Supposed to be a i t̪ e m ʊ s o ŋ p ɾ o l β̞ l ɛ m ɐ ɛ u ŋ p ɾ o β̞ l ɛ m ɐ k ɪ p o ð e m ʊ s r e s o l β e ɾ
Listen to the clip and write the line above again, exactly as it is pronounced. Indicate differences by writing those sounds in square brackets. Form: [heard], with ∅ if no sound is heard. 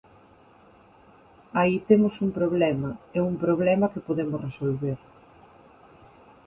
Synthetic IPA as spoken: a i t̪ e m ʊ s [u] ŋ p ɾ o [∅] β̞ l ɛ m ɐ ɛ u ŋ p ɾ o β̞ l ɛ m ɐ k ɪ p o ð e m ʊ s r e s o l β e ɾ

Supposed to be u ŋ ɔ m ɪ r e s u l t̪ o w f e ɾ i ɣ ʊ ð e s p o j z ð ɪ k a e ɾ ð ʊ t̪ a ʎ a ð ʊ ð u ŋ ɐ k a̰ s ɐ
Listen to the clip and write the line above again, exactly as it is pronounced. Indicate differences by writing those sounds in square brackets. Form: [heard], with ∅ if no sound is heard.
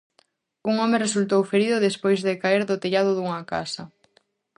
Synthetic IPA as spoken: u ŋ ɔ m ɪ r e s u l t̪ o w f e ɾ i [ð] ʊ ð e s p o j z ð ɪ k a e ɾ ð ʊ t̪ [e] ʎ a ð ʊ ð u ŋ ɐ k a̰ s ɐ

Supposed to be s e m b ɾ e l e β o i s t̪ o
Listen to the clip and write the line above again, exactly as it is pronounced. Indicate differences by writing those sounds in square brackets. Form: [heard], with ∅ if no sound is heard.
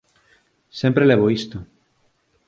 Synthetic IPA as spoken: s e m [p] ɾ e l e β o i s t̪ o

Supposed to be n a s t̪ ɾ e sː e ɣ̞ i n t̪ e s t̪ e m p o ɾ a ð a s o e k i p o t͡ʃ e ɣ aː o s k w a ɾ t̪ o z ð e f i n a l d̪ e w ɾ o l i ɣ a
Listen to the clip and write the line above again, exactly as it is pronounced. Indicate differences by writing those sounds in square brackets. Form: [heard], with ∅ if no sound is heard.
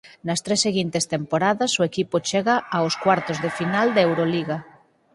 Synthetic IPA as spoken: n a s t̪ ɾ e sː e ɣ̞ i n t̪ e s t̪ e m p o ɾ a ð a s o e k i p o t͡ʃ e ɣ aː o s k w a ɾ t̪ o z ð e f i n a l d̪ e w ɾ o l i ɣ a

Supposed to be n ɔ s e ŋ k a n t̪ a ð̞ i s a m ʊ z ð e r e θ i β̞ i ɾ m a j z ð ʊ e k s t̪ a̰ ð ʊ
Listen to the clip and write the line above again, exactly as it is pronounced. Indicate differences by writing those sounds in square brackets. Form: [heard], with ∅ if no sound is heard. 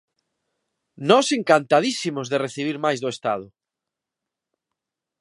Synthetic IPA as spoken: n ɔ s e ŋ k a n t̪ a ð̞ i s [i] m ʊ z ð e r e θ i β̞ i ɾ m a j z ð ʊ e [∅] s t̪ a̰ ð ʊ

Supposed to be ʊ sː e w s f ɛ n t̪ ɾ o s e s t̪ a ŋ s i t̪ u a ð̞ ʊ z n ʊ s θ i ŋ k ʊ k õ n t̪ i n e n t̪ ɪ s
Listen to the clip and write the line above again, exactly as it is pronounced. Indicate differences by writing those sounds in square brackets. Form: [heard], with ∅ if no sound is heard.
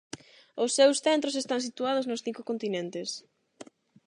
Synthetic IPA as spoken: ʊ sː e w s [θ] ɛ n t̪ ɾ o s e s t̪ a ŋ s i t̪ u a ð̞ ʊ z n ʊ s θ i ŋ k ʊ k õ n t̪ i n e n t̪ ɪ s

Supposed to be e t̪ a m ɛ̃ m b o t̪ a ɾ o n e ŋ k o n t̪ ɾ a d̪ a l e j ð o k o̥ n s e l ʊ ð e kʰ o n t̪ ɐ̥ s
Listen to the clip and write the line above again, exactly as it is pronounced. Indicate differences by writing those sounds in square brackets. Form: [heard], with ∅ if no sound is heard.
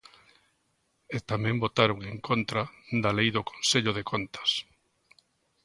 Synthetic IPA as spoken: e t̪ a m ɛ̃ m b o t̪ a ɾ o [ŋ] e ŋ k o n t̪ ɾ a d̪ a l e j ð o k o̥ n s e [ʎ] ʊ ð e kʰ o n t̪ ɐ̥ s

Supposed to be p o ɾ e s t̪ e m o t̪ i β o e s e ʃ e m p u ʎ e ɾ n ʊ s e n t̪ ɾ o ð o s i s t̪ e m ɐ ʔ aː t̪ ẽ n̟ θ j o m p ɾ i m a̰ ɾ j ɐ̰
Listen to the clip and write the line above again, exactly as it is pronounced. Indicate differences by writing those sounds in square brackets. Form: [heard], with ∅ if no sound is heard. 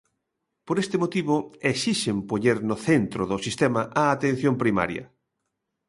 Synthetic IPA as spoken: p o ɾ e s t̪ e m o t̪ i β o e s [i] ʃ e m p [o] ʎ e ɾ n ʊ [θ] e n t̪ ɾ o ð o s i s t̪ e m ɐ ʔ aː t̪ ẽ n̟ θ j o m p ɾ i m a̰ ɾ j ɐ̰

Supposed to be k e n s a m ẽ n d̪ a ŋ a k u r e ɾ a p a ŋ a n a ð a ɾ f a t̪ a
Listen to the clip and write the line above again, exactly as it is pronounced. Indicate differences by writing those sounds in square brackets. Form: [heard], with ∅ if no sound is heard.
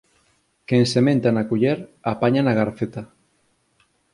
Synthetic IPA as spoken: k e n s [e] m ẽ n [t̪] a [n] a k u [ʎ] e ɾ a p a [ɲ] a n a [ɣ] a ɾ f [e] t̪ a

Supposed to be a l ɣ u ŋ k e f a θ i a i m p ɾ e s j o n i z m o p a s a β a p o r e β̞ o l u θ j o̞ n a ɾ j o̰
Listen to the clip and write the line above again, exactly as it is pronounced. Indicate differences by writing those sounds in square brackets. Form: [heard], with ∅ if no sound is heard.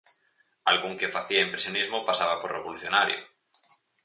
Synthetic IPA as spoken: a l ɣ u ŋ k e f a θ i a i m p ɾ e s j o n i z m o p a s a β a p o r e β̞ o l u θ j o̞ n a ɾ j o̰

